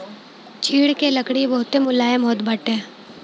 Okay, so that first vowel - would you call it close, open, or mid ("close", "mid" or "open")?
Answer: close